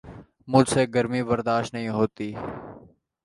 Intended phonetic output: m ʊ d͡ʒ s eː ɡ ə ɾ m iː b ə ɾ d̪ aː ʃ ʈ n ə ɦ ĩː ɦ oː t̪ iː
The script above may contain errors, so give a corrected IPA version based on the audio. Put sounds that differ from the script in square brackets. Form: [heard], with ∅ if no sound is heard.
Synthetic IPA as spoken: m ʊ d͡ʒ s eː ɡ ə ɾ m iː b ə ɾ d̪ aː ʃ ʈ n ə ɦ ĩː ɦ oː t̪ iː